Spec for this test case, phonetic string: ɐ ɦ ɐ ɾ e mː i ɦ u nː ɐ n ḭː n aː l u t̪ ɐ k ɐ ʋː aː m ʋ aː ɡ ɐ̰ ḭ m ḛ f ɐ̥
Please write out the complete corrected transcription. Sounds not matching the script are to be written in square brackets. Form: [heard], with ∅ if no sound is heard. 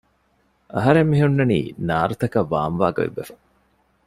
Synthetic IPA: ɐ ɦ ɐ ɾ e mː i ɦ u nː ɐ n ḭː n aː [ɾ] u t̪ ɐ k ɐ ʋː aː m ʋ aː ɡ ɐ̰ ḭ [b] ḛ f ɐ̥